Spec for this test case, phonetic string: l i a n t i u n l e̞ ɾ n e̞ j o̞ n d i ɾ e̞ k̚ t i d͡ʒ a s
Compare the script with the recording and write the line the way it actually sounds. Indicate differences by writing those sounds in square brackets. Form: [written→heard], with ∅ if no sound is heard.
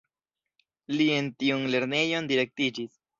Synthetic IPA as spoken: l i [a→e] n t i u n l e̞ ɾ n e̞ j o̞ n d i ɾ e̞ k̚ t i d͡ʒ [a→i] s